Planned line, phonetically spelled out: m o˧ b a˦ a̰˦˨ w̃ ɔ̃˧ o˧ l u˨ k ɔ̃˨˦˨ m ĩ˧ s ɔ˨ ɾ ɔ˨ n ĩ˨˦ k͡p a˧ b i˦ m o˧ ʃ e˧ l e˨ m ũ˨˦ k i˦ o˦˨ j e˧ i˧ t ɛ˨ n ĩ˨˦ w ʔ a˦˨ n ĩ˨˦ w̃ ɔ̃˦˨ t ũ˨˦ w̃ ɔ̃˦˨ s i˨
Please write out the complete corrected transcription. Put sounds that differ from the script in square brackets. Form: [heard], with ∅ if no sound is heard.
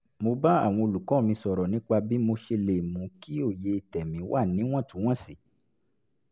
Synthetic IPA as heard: m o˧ b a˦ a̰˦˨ w̃ ɔ̃˧ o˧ l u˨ k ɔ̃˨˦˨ m ĩ˧ s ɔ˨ ɾ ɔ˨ n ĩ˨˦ k͡p a˧ b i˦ m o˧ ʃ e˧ l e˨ m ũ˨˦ k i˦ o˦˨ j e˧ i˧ t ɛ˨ [m] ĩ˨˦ w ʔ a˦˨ n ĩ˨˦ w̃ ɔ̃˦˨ t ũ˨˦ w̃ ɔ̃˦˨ s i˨